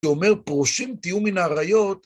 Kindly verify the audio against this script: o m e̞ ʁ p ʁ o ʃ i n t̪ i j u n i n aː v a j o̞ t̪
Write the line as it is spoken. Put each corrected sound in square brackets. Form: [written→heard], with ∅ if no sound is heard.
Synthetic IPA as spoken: o m e̞ ʁ p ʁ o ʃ i [n→m] t̪ i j u [n→m] i n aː [v→ʁ] a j o̞ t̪